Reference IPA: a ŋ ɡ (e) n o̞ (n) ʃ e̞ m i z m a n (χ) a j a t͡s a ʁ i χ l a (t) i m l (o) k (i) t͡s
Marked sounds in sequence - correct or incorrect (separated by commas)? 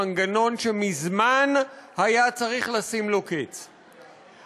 incorrect, correct, incorrect, incorrect, correct, incorrect